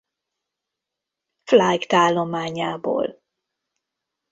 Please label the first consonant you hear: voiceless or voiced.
voiceless